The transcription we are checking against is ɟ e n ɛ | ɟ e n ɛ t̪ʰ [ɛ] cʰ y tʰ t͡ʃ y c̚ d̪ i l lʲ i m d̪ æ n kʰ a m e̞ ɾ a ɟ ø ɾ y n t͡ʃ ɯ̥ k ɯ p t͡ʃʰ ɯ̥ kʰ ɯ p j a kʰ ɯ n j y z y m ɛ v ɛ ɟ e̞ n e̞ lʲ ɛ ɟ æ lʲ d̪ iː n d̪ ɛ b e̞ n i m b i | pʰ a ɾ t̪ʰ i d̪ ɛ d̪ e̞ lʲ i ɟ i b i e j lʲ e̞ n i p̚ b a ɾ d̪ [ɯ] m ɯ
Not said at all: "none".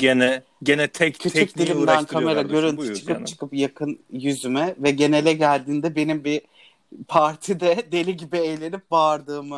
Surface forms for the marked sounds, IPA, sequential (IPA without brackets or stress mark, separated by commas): ɛ, ɯː